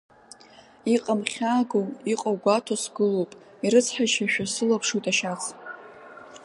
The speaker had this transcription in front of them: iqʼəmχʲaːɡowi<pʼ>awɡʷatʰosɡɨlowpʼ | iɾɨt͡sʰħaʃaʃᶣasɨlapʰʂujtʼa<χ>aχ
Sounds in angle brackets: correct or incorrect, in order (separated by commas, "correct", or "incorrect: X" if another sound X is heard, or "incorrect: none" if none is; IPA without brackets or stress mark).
incorrect: qʼ, incorrect: ʃ